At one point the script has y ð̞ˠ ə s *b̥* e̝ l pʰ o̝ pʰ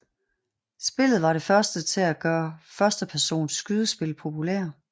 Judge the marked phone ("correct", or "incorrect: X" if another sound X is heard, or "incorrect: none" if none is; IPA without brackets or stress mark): correct